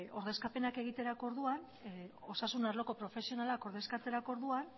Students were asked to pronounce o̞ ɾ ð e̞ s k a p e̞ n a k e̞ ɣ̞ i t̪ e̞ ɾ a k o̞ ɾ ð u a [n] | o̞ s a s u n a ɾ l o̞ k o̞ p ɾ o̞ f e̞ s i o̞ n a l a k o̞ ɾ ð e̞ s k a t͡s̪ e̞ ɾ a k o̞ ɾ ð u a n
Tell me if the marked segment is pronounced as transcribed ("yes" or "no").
yes